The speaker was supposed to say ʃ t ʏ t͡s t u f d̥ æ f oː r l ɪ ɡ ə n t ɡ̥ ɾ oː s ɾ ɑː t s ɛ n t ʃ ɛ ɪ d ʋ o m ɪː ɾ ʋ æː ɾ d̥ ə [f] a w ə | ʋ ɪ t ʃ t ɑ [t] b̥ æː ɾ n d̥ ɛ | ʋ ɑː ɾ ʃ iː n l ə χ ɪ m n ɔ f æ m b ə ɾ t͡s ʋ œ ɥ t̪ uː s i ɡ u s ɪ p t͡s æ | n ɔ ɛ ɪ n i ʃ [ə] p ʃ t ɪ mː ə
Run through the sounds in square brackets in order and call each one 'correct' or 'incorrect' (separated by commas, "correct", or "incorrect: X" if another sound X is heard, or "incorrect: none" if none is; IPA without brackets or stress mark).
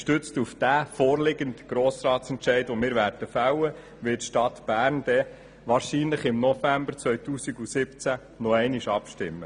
correct, correct, incorrect: ɑ